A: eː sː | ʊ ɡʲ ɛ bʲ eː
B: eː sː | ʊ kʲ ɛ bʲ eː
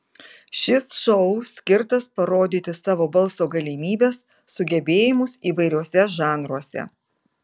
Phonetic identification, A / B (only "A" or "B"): A